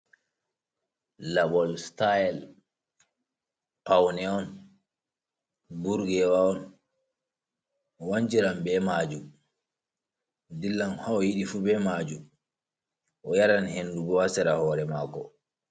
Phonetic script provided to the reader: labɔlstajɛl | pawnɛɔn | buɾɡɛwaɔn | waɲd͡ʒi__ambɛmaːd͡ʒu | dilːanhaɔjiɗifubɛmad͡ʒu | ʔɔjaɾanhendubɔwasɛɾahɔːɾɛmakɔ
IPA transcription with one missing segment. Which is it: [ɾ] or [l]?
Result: ɾ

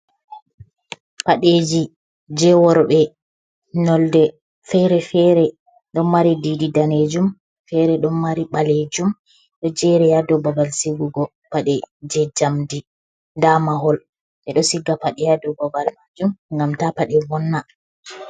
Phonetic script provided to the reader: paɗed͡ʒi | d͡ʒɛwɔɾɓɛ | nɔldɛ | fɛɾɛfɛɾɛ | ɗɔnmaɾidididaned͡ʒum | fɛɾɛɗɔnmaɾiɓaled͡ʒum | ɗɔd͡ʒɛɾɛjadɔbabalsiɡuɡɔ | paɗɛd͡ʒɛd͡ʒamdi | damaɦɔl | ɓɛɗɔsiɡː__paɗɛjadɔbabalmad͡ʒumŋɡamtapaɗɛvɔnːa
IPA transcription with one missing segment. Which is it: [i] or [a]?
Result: a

